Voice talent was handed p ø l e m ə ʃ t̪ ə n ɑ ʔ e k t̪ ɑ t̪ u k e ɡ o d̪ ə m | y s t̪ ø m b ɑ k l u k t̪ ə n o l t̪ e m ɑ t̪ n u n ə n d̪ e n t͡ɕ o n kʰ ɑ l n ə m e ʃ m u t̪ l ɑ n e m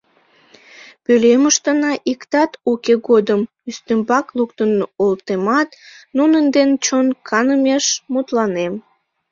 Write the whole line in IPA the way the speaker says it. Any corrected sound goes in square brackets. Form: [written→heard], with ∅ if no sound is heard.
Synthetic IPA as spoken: p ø l e m ə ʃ t̪ ə n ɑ ʔ [e→i] k t̪ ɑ t̪ u k e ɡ o d̪ ə m | y s t̪ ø m b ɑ k l u k t̪ ə n o l t̪ e m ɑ t̪ n u n ə n d̪ e n t͡ɕ o n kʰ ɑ [l→∅] n ə m e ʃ m u t̪ l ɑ n e m